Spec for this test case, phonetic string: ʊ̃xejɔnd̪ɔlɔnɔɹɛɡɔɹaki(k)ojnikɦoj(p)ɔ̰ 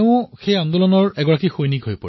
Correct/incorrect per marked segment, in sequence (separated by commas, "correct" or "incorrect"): incorrect, correct